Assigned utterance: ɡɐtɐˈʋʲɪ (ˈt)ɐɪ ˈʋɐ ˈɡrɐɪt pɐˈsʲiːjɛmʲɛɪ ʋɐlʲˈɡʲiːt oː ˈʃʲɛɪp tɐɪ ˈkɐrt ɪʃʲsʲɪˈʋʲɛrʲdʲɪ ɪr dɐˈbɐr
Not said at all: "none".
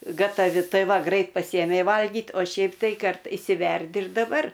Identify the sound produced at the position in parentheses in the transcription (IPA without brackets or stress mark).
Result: t